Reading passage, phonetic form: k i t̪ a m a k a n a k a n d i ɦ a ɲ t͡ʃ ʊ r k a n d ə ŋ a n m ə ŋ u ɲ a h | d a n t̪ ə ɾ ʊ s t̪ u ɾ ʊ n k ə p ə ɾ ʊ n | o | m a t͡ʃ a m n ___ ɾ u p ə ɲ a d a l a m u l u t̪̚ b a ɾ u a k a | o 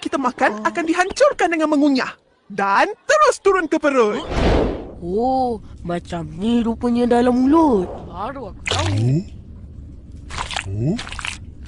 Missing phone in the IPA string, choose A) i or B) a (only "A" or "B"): A